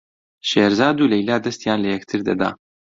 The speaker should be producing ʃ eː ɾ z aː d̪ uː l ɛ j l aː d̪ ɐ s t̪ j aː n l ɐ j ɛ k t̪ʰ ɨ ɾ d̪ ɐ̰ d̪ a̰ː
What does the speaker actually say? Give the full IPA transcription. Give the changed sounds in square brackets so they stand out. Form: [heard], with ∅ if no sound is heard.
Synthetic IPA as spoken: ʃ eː ɾ z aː d̪ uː l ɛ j l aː d̪ ɐ s t̪ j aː n l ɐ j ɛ k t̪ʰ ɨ ɾ d̪ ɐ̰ d̪ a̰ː